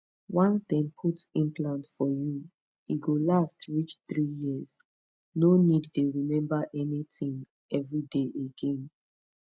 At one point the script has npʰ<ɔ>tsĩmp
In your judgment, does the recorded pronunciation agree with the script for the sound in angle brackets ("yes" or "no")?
no